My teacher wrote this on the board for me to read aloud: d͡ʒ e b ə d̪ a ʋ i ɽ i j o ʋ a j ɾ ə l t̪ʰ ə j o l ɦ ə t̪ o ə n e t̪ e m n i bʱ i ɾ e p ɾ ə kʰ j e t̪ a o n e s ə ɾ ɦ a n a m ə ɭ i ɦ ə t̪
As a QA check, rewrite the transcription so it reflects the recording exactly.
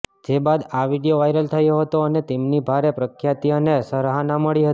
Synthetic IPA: d͡ʒ e b a d̪ a ʋ i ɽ i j o ʋ a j ɾ ə l t̪ʰ ə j o ɦ ə t̪ o ə n e t̪ e m n i bʱ a ɾ e p ɾ ə kʰ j a t̪ i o n e s ə ɾ ɦ a n a m ə ɭ i ɦ ə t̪